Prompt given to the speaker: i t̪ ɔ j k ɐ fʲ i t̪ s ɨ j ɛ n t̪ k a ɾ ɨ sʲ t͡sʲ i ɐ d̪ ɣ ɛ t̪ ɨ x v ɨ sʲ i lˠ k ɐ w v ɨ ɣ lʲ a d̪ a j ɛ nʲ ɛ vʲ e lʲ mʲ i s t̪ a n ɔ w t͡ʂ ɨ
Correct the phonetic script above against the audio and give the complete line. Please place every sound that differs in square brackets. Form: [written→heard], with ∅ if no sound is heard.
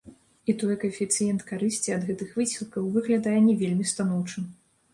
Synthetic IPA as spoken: i t̪ ɔ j k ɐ fʲ i t̪ s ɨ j ɛ n t̪ k a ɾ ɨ sʲ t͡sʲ i ɐ d̪ ɣ ɛ t̪ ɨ x v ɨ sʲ i lˠ k ɐ w v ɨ ɣ lʲ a d̪ a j ɛ nʲ ɛ vʲ e lʲ mʲ i s t̪ a n ɔ w t͡ʂ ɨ

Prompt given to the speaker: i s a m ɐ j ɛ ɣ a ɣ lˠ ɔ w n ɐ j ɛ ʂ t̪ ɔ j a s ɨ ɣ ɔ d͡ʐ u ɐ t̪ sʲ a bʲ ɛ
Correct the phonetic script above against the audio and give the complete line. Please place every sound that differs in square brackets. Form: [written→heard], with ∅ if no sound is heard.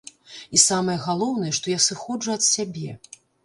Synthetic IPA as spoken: i s a m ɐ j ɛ ɣ a [ɣ→∅] lˠ ɔ w n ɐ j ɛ ʂ t̪ ɔ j a s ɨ [ɣ→x] ɔ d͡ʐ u ɐ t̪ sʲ a bʲ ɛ

